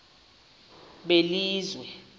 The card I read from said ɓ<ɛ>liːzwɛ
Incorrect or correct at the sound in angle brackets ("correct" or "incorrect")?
incorrect